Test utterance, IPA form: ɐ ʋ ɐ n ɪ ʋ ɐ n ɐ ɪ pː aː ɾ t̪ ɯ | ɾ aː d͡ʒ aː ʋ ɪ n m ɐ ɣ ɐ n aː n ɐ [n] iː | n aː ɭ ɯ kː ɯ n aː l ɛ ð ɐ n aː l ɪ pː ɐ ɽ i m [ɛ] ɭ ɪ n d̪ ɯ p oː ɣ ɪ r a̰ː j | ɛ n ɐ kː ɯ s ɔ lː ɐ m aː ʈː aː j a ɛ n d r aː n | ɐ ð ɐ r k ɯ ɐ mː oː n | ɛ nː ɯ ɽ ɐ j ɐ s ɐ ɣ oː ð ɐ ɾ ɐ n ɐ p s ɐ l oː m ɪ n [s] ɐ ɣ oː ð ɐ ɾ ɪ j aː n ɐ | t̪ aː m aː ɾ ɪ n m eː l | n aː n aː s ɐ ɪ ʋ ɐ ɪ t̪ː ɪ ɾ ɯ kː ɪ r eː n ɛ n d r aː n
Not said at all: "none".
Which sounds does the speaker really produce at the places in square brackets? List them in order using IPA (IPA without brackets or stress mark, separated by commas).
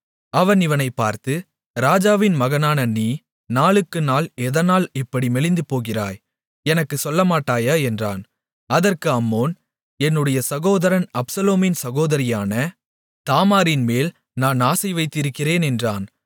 n, ɛ, s